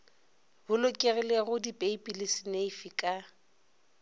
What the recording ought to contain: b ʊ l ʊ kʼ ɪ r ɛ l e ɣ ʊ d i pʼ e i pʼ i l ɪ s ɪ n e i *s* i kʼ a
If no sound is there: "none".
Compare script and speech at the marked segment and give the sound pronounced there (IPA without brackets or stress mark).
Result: f